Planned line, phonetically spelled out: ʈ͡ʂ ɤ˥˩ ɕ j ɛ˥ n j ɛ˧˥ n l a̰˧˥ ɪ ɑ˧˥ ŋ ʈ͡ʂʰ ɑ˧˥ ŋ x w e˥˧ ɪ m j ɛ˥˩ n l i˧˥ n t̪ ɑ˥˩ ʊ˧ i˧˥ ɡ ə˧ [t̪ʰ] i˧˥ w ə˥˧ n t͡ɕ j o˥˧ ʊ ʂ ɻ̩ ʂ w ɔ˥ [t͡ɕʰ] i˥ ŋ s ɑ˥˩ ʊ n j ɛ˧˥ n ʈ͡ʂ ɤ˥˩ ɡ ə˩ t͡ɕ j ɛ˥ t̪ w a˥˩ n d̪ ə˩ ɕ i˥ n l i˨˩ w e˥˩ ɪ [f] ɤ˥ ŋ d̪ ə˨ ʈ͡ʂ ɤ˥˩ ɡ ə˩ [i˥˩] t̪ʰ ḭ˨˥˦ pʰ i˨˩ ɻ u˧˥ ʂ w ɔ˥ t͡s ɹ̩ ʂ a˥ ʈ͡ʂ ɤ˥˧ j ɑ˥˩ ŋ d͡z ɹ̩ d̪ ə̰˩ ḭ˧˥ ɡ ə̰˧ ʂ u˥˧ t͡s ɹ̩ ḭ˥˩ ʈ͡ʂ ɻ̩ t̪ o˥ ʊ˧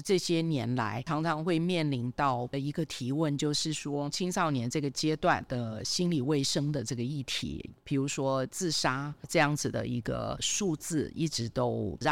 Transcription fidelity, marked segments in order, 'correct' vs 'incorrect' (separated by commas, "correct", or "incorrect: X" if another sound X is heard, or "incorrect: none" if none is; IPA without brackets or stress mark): correct, correct, incorrect: ʂ, correct